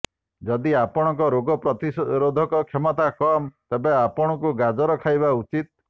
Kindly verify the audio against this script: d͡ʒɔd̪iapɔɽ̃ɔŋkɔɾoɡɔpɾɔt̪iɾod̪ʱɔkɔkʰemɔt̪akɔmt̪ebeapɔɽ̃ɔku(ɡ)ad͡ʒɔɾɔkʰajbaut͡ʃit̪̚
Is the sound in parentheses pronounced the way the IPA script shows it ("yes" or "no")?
yes